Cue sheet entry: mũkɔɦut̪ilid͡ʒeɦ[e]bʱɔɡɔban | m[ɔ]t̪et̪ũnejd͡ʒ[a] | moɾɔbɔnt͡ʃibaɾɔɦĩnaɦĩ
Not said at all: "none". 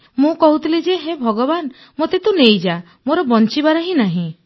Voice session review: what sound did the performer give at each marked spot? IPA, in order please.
e, o, a

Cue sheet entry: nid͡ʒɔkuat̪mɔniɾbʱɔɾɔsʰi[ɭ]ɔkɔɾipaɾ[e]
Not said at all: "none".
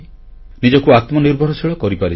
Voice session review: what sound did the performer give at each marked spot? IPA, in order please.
ɭ, i

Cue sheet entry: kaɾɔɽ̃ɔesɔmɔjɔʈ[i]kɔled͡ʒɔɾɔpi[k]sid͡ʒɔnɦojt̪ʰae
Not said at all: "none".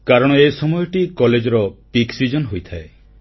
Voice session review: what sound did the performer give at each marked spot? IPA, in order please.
i, k

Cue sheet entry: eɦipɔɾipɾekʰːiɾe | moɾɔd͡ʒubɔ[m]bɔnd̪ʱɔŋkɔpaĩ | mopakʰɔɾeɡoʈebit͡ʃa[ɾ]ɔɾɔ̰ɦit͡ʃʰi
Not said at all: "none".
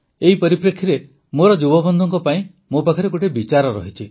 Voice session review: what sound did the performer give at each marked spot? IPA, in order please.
none, ɾ

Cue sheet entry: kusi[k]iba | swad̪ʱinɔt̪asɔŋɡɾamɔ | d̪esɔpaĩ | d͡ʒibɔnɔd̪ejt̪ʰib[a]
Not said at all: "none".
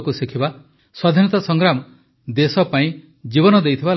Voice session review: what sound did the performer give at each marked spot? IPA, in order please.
kʰ, a

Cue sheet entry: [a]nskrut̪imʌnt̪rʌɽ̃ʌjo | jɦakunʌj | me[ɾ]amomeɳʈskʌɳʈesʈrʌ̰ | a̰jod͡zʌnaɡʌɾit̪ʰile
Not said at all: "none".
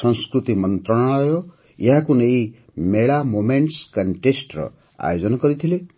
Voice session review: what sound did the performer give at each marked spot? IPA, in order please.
ʌ, ɭ

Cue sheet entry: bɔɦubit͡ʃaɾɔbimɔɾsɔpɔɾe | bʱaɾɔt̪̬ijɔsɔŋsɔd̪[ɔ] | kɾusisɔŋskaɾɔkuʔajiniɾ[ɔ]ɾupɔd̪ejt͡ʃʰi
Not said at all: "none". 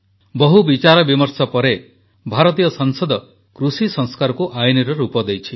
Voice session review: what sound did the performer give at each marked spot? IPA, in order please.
ɔ, ɔ

